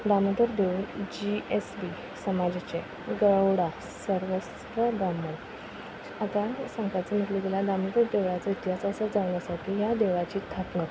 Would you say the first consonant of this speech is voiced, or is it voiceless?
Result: voiced